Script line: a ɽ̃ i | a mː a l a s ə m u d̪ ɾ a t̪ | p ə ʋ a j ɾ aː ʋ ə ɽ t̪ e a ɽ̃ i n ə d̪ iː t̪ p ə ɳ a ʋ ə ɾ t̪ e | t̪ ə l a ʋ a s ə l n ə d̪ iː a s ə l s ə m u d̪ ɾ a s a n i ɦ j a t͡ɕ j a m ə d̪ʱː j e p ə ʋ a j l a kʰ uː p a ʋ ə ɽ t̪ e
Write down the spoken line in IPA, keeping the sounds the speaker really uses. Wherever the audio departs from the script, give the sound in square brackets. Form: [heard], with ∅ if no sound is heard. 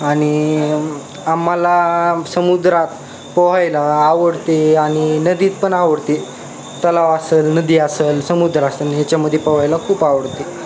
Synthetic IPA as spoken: a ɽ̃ i | a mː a l a s ə m u d̪ ɾ a t̪ | p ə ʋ a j [l] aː ʋ ə ɽ t̪ e a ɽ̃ i n ə d̪ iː t̪ p ə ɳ a ʋ ə [ɽ] t̪ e | t̪ ə l a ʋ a s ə l n ə d̪ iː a s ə l s ə m u d̪ ɾ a s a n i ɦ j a t͡ɕ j a m ə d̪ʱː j e p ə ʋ a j l a kʰ uː p a ʋ ə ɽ t̪ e